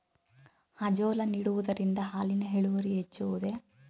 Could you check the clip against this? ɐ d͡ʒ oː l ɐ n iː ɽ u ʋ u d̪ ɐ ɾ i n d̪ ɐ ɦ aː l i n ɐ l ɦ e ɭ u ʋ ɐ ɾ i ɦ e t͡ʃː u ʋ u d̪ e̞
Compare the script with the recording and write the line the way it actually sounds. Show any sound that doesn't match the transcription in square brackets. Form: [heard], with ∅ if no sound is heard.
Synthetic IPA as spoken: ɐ d͡ʒ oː l ɐ n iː ɽ u ʋ u d̪ ɐ ɾ i n d̪ ɐ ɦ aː l i n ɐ [∅] ɦ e ɭ u ʋ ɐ ɾ i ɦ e t͡ʃː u ʋ u d̪ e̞